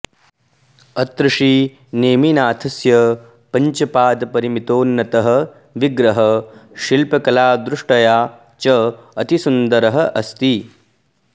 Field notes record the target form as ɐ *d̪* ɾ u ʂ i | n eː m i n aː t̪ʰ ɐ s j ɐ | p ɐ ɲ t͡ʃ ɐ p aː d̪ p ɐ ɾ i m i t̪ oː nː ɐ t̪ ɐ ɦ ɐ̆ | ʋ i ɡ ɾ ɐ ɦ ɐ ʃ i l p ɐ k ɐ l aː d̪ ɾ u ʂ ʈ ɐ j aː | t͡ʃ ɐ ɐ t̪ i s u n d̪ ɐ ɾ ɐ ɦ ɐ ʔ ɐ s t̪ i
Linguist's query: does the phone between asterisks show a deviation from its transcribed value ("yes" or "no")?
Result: yes